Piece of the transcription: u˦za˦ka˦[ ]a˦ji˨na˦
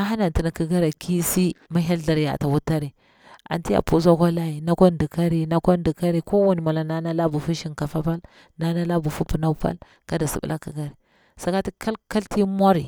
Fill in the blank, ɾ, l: l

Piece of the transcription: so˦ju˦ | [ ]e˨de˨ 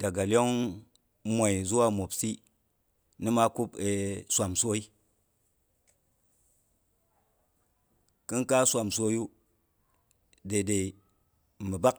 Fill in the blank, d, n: d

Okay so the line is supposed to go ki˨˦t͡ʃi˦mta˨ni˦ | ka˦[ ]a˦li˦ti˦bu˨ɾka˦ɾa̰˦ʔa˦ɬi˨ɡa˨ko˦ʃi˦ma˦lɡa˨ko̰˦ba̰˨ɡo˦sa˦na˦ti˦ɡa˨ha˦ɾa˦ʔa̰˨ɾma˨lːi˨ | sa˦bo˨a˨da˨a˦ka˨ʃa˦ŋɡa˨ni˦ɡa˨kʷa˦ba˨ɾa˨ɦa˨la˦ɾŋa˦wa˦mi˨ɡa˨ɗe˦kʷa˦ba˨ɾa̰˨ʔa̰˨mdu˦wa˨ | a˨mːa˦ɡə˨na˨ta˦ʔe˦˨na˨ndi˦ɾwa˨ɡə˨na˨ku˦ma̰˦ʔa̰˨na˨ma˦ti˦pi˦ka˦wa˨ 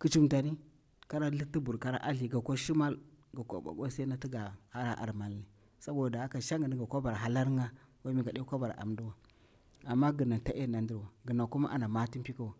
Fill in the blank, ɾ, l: ɾ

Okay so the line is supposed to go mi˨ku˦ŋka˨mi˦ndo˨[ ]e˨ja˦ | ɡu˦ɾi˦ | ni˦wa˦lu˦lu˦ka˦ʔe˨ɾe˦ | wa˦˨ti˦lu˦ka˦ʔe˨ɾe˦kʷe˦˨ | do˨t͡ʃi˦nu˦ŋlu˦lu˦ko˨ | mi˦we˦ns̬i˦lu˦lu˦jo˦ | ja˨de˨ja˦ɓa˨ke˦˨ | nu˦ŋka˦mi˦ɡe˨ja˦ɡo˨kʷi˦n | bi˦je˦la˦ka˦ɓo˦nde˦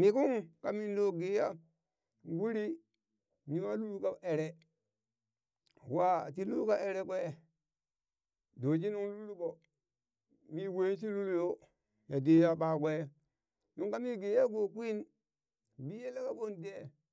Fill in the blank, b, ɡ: ɡ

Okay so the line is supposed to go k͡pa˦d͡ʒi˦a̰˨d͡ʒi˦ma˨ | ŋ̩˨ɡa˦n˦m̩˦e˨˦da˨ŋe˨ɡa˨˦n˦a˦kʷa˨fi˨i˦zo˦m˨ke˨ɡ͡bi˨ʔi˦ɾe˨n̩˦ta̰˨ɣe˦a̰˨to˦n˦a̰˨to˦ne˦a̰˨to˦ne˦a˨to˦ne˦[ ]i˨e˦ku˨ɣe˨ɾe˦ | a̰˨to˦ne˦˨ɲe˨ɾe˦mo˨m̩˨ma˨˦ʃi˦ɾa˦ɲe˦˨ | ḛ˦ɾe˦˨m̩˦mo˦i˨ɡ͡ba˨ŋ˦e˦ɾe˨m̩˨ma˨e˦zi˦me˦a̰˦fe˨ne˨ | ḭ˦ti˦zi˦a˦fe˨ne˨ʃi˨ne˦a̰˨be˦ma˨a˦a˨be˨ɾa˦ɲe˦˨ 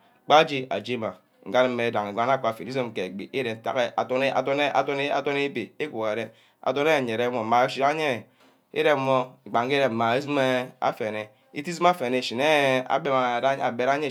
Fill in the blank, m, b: b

